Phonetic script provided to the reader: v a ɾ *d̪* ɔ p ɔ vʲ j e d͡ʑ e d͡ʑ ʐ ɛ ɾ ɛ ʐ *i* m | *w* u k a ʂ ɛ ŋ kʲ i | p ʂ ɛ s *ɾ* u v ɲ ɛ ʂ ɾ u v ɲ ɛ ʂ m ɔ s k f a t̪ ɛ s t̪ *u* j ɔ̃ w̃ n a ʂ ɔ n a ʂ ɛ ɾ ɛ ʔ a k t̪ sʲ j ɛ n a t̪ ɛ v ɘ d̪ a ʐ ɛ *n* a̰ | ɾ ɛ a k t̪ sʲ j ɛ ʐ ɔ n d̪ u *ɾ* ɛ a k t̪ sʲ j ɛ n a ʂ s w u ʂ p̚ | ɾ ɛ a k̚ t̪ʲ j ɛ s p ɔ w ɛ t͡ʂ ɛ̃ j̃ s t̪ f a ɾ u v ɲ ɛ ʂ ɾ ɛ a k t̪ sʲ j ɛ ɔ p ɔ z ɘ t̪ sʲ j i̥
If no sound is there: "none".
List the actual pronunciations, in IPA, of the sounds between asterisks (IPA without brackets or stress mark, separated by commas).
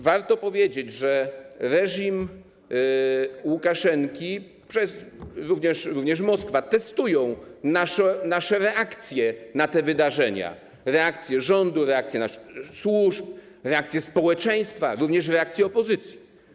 t̪, i, w, ɾ, u, ɲ, ɾ